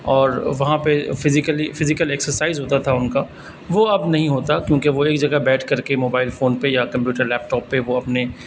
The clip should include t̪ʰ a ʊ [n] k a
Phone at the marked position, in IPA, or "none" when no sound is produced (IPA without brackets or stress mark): n